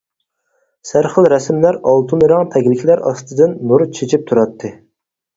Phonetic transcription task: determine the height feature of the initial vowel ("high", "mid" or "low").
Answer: low